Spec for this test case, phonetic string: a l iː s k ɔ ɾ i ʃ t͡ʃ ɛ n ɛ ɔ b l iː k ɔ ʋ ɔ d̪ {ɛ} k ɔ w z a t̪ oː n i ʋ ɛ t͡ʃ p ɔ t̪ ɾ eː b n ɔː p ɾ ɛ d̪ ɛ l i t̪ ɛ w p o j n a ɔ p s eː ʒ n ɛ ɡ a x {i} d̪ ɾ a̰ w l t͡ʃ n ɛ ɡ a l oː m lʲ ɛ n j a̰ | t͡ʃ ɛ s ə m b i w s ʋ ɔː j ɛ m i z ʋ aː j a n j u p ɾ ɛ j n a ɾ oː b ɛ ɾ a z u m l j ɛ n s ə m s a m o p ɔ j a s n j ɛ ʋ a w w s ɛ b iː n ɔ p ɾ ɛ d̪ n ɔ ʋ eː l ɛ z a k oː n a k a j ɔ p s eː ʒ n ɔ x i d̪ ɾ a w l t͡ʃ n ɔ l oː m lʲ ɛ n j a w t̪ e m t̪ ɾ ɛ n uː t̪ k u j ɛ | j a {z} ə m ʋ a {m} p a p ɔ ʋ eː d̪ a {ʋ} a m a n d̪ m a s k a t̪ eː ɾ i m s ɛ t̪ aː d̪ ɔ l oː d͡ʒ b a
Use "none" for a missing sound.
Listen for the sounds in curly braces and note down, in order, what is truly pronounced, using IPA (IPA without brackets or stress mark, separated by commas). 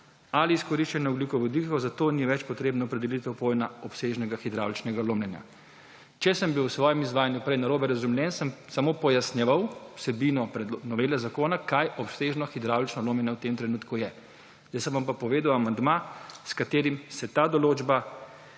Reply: i, i, s, m, w